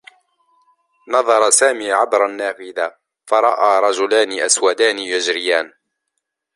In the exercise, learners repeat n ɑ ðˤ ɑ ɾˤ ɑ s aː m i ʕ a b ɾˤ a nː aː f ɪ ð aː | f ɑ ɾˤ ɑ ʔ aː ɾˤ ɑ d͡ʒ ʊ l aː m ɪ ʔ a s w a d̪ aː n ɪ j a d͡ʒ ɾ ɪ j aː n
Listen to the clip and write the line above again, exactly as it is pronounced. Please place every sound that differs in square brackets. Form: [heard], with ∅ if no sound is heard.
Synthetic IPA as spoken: n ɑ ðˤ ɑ ɾˤ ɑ s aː m [iː] ʕ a b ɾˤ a nː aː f ɪ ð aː | f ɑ ɾˤ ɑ ʔ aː ɾˤ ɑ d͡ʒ ʊ l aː [n] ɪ ʔ a s w a d̪ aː n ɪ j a d͡ʒ ɾ ɪ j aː n

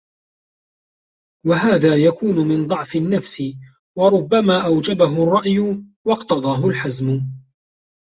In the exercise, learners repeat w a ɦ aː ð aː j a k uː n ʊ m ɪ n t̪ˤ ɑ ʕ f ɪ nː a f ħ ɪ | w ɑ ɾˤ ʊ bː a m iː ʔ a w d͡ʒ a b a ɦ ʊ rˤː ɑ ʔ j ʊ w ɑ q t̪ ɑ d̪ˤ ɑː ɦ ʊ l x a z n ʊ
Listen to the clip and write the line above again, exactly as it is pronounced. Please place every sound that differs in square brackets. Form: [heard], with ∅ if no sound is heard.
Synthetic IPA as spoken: w a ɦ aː ð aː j a k uː n ʊ m ɪ n [d̪ˤ] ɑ ʕ f ɪ nː a f [s] ɪ | w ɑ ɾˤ ʊ bː a m [aː] ʔ a w d͡ʒ a b a ɦ ʊ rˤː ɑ ʔ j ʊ w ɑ q t̪ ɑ d̪ˤ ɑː ɦ ʊ l [ħ] a z [m] ʊ

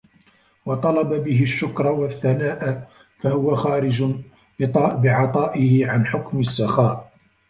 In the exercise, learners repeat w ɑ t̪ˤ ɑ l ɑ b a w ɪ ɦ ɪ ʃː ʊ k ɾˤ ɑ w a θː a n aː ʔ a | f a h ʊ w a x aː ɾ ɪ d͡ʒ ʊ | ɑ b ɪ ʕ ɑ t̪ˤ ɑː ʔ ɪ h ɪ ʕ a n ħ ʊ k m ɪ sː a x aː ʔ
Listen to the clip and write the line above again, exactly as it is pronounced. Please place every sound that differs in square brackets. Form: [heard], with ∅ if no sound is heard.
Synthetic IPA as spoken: w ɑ t̪ˤ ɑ l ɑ b a [b] ɪ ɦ ɪ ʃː ʊ k ɾˤ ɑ w a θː a n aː ʔ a | f a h ʊ w a x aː ɾ ɪ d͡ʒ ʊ | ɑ b ɪ ʕ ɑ t̪ˤ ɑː ʔ ɪ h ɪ ʕ a n ħ ʊ k m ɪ sː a x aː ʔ

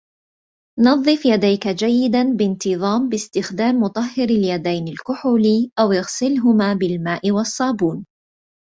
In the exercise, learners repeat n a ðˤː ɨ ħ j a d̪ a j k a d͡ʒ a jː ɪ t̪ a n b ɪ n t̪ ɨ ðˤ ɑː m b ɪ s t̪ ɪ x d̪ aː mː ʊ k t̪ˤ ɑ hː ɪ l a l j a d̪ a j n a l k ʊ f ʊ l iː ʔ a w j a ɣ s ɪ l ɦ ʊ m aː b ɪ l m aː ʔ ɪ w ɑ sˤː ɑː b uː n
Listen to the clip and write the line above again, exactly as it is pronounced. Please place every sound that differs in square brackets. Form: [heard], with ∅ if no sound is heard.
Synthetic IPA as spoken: n [ɑ] ðˤː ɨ [f] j a d̪ a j k a d͡ʒ a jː ɪ [d̪] a n b ɪ n t̪ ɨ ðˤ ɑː m b ɪ s t̪ ɪ x d̪ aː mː ʊ [∅] t̪ˤ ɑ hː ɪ [ɾ] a l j a d̪ a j n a l k ʊ [ħ] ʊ l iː ʔ a w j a ɣ s ɪ l ɦ ʊ m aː b ɪ l m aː ʔ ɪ w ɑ sˤː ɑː b uː n

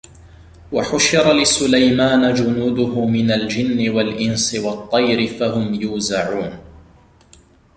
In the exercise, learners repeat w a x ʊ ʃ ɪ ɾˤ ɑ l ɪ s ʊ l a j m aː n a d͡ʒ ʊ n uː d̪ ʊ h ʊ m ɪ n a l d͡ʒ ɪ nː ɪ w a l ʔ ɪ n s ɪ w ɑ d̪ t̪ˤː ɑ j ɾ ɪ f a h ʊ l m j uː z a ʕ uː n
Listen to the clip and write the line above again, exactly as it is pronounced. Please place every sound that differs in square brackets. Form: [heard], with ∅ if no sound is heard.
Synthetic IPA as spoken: w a [ħ] ʊ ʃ ɪ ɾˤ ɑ l ɪ s ʊ l a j m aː n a d͡ʒ ʊ n uː d̪ ʊ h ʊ m ɪ n a l d͡ʒ ɪ nː ɪ w a l ʔ ɪ n s ɪ w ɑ [∅] t̪ˤː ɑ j ɾ ɪ f a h ʊ [∅] m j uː z a ʕ uː n

